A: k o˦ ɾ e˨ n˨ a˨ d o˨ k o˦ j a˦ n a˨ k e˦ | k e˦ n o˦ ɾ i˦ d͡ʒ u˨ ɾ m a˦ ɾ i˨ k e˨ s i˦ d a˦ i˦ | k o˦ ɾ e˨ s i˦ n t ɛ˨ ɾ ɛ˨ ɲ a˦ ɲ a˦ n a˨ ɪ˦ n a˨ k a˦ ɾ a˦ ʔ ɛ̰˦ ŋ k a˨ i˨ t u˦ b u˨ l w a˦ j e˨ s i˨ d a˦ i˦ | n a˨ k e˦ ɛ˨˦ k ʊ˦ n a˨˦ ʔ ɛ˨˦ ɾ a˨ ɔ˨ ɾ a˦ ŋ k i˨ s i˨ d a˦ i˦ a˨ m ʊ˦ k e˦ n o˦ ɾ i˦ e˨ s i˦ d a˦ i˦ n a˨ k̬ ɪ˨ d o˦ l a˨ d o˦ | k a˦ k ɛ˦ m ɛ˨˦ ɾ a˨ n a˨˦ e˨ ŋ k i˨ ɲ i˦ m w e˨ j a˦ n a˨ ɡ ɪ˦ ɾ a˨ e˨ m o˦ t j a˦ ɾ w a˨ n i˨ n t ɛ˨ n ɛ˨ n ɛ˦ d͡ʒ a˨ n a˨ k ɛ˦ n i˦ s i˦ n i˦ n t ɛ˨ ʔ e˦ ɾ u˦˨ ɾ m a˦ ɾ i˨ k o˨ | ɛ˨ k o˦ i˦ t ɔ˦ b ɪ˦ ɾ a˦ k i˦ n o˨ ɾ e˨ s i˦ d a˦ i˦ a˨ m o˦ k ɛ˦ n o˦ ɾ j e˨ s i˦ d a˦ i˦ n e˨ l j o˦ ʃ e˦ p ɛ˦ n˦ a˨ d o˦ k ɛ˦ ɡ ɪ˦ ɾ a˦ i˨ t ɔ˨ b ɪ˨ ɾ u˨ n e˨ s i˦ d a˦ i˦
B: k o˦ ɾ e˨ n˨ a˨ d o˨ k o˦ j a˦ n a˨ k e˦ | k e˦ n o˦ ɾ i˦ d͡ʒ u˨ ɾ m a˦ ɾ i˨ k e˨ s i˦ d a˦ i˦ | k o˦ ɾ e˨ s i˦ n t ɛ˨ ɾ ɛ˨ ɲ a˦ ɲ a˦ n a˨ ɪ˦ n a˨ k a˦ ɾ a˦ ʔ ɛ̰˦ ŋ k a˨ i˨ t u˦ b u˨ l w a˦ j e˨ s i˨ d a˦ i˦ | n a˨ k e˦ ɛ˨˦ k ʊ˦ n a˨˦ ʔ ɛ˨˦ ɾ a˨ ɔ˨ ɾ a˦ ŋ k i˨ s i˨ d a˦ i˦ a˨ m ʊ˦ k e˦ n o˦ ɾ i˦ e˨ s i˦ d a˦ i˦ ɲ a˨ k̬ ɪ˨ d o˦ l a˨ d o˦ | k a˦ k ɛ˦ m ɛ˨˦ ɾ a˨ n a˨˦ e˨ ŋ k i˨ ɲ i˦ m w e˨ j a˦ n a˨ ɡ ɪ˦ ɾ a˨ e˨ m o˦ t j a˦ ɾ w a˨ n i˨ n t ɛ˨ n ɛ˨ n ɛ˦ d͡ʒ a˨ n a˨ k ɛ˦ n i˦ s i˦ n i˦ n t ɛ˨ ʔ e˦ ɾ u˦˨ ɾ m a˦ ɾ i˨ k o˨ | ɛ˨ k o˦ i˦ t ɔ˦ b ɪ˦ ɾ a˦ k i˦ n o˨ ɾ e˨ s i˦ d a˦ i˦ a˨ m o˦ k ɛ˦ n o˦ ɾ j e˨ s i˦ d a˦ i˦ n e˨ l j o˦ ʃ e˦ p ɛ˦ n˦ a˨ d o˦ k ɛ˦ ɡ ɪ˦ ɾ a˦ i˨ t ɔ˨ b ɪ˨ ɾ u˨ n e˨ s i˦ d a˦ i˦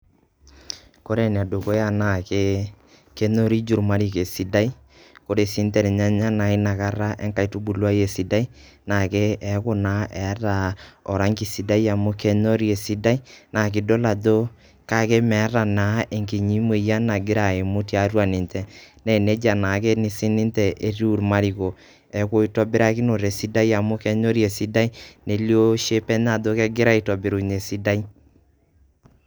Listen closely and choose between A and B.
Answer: A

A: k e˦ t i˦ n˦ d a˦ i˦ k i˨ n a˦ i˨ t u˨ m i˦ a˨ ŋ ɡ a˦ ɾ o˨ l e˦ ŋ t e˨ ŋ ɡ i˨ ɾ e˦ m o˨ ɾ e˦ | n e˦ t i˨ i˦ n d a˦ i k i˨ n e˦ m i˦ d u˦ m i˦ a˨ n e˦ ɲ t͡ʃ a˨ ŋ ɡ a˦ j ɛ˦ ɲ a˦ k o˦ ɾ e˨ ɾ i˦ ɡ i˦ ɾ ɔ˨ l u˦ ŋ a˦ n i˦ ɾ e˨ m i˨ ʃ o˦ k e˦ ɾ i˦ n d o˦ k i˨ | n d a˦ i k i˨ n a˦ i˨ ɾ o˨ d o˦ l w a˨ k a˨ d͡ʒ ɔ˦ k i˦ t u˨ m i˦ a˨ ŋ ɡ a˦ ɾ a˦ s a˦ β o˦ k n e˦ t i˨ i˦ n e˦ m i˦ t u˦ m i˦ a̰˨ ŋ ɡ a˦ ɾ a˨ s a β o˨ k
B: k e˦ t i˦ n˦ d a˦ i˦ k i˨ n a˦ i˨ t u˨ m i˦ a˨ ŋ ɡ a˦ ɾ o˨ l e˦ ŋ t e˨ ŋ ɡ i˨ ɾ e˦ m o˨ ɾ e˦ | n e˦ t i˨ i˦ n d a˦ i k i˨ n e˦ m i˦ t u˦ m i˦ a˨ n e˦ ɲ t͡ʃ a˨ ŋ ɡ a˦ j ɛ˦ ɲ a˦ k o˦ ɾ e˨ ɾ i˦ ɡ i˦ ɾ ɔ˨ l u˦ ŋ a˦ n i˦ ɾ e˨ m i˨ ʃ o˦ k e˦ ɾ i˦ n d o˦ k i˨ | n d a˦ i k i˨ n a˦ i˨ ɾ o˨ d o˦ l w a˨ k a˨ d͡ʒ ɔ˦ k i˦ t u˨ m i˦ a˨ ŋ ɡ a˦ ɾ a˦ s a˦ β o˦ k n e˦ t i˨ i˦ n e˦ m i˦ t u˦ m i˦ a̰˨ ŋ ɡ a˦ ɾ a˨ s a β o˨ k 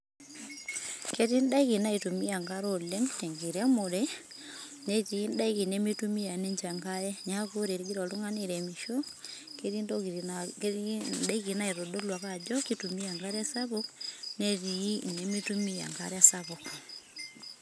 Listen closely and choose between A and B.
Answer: B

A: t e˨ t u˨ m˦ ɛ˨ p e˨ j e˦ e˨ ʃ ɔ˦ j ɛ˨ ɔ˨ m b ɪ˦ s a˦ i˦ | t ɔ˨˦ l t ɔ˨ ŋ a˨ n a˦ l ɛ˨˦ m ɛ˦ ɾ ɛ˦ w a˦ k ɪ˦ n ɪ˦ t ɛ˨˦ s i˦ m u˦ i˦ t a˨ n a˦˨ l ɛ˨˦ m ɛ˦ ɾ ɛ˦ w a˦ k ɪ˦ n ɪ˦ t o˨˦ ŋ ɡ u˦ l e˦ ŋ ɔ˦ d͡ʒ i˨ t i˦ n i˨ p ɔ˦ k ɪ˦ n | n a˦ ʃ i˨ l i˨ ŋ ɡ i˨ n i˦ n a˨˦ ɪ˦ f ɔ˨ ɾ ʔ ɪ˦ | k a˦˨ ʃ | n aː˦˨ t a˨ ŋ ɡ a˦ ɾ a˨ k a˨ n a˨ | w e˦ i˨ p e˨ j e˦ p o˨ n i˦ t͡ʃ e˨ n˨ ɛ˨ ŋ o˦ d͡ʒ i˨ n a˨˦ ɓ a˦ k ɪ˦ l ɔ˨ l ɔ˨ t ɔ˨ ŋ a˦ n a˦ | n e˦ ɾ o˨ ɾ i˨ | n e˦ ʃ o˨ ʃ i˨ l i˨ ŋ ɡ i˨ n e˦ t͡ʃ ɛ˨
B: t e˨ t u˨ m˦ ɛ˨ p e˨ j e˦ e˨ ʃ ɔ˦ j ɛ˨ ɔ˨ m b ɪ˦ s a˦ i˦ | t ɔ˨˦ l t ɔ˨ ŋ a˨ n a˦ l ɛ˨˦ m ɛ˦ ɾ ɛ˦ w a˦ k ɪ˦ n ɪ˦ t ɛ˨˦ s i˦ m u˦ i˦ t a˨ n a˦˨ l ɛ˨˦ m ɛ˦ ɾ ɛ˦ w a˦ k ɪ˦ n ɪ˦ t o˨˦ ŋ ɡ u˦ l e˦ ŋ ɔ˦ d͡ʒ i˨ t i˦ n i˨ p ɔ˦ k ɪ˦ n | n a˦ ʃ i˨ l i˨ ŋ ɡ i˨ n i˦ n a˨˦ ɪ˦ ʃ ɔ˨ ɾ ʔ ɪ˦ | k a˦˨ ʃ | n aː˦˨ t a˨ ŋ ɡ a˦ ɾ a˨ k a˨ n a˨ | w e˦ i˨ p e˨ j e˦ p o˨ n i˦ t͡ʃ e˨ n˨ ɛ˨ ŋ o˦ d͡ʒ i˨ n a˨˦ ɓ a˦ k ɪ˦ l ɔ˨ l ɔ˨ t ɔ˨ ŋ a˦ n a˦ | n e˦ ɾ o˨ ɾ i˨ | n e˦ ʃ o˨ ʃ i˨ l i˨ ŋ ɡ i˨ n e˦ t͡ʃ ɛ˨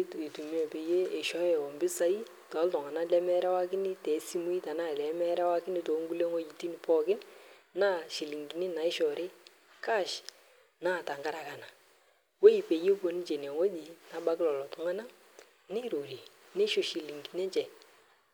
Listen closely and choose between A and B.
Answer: B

